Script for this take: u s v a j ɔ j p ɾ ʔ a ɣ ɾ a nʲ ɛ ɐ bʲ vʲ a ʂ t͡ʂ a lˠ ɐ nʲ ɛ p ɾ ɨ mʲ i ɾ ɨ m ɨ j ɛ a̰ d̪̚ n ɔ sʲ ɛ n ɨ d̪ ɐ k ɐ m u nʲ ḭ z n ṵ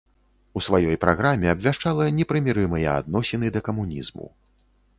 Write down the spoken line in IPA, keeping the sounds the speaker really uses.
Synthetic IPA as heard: u s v a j ɔ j p ɾ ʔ a ɣ ɾ a mʲ ɛ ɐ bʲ vʲ a ʂ t͡ʂ a lˠ ɐ nʲ ɛ p ɾ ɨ mʲ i ɾ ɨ m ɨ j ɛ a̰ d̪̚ n ɔ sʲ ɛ n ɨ d̪ ɐ k ɐ m u nʲ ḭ z m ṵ